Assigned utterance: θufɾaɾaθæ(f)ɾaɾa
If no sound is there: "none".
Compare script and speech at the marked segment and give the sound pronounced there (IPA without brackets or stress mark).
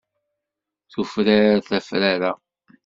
f